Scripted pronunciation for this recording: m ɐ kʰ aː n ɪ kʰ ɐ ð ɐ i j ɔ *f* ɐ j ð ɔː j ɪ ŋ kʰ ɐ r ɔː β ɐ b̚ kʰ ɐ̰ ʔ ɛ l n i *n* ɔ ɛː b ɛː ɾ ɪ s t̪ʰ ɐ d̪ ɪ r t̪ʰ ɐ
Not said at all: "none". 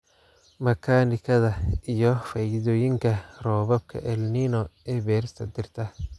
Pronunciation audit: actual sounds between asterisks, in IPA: f, n

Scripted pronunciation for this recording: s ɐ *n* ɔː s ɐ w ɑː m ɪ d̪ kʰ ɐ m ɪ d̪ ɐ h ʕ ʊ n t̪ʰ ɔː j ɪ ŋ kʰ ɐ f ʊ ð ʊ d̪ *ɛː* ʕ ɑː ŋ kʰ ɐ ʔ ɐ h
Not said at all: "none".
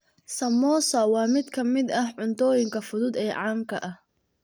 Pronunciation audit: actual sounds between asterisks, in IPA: m, ɛː

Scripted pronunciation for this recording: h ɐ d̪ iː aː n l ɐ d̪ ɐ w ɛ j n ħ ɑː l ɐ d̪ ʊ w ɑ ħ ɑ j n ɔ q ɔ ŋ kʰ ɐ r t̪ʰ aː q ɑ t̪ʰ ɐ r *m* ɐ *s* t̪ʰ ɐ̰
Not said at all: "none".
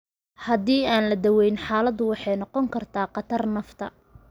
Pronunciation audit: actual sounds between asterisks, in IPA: n, f

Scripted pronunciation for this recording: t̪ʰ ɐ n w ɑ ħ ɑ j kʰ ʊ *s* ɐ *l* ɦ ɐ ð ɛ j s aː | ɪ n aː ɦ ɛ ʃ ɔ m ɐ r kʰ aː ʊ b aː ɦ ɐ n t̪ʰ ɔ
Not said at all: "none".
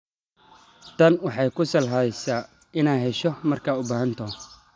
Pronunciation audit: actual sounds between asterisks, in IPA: s, l

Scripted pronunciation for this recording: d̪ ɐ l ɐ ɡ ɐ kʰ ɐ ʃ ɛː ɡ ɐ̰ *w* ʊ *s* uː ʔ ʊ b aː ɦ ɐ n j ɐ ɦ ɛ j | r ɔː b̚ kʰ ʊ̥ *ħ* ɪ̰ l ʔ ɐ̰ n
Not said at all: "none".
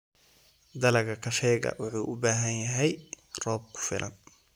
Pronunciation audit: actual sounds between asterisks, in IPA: w, ħ, f

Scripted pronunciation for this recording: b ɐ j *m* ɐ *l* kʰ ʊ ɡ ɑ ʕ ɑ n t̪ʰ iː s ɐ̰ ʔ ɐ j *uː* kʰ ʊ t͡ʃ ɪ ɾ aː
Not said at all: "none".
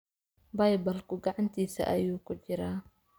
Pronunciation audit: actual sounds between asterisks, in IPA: b, l, uː

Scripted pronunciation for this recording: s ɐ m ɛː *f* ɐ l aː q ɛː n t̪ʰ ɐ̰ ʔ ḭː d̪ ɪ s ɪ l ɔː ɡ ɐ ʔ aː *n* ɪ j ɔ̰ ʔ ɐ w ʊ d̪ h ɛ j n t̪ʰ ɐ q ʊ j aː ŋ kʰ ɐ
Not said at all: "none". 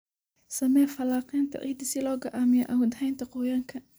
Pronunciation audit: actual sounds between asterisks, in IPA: f, m

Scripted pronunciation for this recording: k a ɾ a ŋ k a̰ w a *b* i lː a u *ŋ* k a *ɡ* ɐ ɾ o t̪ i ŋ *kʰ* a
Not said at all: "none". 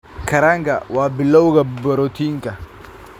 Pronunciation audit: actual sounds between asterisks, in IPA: b, none, b, k

